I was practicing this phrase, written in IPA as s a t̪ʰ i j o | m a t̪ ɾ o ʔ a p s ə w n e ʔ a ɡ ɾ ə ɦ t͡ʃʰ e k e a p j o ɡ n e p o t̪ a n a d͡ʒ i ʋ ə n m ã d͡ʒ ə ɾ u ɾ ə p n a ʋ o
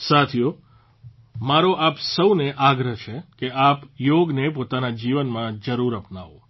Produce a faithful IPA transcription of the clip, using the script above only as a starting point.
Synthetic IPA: s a t̪ʰ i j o | m a ɾ o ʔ a p s ə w n e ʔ a ɡ ɾ ə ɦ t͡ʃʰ e k e a p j o ɡ n e p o t̪ a n a d͡ʒ i ʋ ə n m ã d͡ʒ ə ɾ u ɾ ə p n a ʋ o